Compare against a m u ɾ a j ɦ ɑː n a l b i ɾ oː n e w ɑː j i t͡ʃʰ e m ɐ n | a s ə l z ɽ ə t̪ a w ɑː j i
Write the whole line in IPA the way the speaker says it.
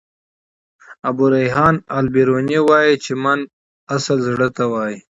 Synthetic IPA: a b u ɾ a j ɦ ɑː n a l b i ɾ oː n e w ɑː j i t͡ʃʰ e m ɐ n | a s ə l z ɽ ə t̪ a w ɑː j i